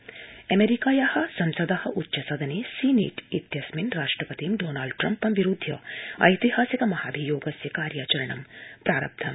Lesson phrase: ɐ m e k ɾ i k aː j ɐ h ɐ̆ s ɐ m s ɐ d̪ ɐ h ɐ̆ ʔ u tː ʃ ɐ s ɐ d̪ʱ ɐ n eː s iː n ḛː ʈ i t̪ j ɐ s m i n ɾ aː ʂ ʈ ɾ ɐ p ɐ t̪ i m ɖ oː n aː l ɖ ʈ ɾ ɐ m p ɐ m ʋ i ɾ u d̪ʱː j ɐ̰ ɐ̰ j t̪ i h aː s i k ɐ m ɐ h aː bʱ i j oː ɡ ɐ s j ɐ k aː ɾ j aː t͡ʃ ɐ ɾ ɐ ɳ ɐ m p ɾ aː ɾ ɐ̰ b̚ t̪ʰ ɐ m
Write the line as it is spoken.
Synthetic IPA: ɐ m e ɾ i k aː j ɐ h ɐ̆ s ɐ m s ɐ d̪ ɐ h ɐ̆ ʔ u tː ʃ ɐ s ɐ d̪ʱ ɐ n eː s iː n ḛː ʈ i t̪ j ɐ s m i n ɾ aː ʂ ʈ ɾ ɐ p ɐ t̪ i m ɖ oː n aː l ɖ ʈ ɾ ɐ m p ɐ m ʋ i ɾ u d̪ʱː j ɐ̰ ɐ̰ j t̪ i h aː s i k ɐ m ɐ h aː bʱ i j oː ɡ ɐ s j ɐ k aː ɾ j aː t͡ʃ ɐ ɾ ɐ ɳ ɐ m p ɾ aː ɾ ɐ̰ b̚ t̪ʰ ɐ m